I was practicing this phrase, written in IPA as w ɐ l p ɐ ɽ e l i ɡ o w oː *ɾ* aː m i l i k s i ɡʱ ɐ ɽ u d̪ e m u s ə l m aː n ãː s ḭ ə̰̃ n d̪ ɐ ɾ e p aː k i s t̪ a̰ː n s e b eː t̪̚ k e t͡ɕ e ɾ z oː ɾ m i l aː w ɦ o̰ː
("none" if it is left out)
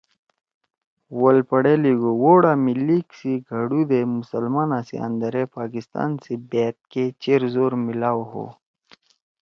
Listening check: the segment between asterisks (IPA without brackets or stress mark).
ɽ